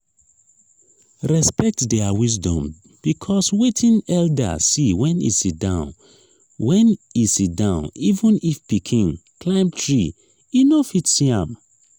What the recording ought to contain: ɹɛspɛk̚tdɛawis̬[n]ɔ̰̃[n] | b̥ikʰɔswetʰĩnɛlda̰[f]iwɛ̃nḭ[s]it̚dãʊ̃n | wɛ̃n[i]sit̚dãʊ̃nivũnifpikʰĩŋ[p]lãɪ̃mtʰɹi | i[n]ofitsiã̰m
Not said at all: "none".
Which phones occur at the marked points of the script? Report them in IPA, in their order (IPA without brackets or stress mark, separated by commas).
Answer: d, m, s, s, i, k, n